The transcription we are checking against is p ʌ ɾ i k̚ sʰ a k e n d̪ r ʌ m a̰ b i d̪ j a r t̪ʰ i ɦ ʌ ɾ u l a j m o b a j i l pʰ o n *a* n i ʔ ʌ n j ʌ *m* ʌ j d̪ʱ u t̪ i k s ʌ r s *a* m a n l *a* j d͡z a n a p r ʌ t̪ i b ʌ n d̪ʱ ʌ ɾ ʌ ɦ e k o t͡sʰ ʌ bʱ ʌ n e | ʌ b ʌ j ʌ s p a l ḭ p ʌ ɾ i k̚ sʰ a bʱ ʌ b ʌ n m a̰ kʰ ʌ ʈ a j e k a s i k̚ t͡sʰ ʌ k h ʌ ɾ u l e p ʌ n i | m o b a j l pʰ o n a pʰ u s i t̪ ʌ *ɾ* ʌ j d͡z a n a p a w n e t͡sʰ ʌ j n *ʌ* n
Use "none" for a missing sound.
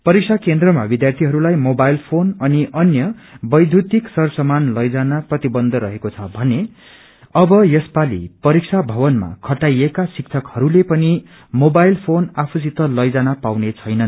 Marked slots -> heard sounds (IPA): ʌ, b, ʌ, ʌ, l, ʌ

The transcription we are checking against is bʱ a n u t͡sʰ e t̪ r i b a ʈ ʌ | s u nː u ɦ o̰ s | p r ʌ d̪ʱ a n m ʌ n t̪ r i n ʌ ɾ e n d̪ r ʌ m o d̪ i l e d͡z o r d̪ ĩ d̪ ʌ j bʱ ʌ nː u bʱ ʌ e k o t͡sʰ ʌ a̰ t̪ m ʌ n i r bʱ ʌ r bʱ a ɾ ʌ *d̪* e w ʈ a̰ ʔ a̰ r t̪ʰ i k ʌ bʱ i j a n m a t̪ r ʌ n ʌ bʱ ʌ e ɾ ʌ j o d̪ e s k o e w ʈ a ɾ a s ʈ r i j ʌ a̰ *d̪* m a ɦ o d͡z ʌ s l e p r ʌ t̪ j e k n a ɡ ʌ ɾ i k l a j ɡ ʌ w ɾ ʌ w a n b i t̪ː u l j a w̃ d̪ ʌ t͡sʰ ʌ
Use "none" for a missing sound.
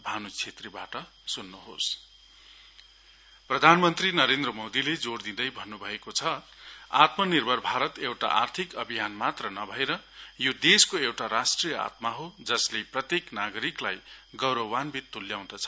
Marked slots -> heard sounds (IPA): t̪, t̪

